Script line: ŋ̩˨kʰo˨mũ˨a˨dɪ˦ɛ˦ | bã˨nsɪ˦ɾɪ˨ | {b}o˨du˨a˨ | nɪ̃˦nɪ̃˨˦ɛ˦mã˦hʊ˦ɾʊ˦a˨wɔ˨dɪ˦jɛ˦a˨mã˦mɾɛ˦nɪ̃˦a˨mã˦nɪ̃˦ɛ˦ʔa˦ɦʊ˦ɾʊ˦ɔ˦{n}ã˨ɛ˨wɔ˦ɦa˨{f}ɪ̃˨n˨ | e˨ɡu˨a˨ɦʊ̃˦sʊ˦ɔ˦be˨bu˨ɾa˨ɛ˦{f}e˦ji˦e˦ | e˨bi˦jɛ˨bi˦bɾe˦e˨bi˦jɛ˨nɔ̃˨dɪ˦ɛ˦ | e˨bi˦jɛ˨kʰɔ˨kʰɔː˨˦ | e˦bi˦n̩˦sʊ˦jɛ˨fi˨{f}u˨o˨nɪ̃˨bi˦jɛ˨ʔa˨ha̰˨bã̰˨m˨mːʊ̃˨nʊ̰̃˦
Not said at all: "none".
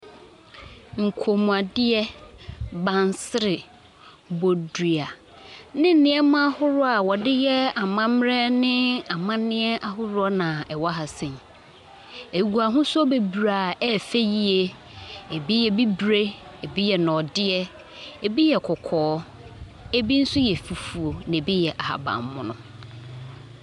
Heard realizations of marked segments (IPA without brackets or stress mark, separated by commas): b, n, s, f, f